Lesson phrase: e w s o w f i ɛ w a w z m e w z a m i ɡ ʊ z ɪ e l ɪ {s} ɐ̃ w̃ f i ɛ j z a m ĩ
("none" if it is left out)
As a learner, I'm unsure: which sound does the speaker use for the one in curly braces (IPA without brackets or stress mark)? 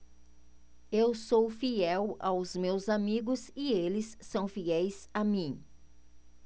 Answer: sː